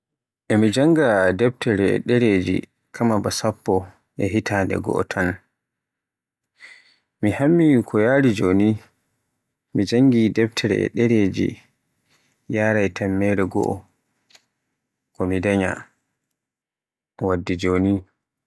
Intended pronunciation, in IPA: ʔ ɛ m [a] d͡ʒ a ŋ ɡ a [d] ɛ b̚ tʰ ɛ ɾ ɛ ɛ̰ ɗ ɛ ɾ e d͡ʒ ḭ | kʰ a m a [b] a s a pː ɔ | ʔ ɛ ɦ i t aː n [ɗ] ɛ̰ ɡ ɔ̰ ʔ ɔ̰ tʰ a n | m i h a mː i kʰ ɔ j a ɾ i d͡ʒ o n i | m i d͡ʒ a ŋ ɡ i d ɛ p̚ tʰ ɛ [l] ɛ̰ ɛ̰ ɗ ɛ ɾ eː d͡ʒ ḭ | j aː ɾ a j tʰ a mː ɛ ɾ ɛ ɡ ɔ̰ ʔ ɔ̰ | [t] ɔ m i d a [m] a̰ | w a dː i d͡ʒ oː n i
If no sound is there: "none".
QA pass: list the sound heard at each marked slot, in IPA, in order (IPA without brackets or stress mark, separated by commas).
i, d, b, d, ɾ, k, ɲ